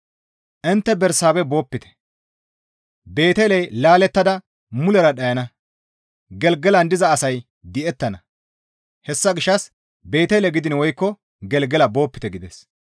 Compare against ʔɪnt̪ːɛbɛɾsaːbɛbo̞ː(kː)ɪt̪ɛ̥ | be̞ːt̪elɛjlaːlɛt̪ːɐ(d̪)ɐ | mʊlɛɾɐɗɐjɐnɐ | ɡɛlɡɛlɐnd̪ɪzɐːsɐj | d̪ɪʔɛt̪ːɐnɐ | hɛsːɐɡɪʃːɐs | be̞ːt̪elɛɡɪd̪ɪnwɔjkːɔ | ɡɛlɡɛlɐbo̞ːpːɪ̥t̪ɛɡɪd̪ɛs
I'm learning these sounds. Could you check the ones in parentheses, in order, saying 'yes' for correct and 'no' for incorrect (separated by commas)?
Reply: no, yes